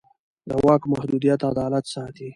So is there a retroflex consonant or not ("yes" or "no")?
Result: no